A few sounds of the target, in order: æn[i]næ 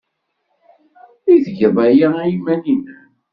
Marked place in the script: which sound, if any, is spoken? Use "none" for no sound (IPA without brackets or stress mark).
i